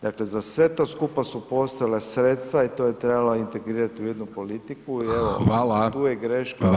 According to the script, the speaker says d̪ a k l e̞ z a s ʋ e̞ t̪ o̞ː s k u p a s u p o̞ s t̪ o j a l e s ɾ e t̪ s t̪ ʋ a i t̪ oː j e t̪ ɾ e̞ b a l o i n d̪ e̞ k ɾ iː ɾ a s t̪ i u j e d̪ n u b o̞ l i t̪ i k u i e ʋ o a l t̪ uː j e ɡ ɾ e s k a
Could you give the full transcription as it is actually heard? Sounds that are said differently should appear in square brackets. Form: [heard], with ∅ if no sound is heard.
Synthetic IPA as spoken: d̪ a k l e̞ z a s ʋ e̞ t̪ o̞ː s k u p a s u p o̞ s t̪ o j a l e s ɾ e t̪ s t̪ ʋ a i t̪ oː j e t̪ ɾ e̞ b a l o i n [t̪] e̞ [ɡ] ɾ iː ɾ a [∅] t̪ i u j e d̪ n u [p] o̞ l i t̪ i k u i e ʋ o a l t̪ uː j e ɡ ɾ e [ʃ] k a

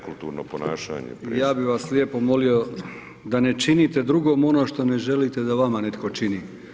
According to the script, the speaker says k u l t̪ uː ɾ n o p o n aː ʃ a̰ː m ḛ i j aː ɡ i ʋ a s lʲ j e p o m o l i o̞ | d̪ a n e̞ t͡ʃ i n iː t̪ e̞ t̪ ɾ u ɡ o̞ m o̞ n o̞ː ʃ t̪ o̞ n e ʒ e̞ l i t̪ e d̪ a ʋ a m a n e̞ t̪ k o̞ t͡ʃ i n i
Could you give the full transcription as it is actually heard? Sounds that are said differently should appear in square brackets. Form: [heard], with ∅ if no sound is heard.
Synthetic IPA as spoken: k u l t̪ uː ɾ n o p o n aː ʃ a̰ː [ɲ] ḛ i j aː [b] i ʋ a s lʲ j e p o m o l i o̞ | d̪ a n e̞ t͡ʃ i n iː t̪ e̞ [d̪] ɾ u ɡ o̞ m o̞ n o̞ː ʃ t̪ o̞ n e ʒ e̞ l i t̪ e d̪ a ʋ a m a n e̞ t̪ k o̞ t͡ʃ i n i

